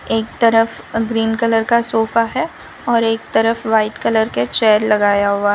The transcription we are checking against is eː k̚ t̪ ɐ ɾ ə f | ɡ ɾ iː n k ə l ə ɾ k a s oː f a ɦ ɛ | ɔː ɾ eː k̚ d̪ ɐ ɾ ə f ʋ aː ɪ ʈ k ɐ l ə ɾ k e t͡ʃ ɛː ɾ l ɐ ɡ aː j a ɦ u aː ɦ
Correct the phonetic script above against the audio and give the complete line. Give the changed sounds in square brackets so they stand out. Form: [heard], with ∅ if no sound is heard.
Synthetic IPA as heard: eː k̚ t̪ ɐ ɾ ə f | ɡ ɾ iː n k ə l ə ɾ k a s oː f a ɦ ɛ | ɔː ɾ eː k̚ [t̪] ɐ ɾ ə f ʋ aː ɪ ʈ k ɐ l ə ɾ k e t͡ʃ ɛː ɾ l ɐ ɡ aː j a ɦ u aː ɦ